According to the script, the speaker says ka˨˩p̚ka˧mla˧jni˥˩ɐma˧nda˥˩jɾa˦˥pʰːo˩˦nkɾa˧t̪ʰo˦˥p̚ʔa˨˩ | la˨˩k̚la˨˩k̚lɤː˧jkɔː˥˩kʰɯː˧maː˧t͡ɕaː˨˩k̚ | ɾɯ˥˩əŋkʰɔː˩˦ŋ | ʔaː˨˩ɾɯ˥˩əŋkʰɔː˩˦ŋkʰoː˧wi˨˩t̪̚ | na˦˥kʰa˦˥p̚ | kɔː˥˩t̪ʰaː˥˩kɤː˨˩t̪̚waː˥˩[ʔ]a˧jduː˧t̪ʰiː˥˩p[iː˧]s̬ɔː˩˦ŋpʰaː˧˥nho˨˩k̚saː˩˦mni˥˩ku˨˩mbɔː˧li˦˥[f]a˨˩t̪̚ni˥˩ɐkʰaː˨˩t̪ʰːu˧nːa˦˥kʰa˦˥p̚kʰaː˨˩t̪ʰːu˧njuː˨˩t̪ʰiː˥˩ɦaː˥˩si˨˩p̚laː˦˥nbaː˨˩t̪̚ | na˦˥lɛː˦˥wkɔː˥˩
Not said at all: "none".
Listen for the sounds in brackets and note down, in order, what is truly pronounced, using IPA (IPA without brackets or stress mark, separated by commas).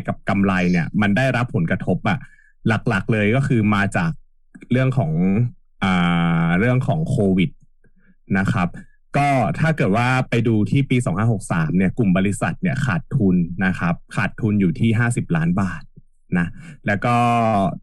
p, iː˧, s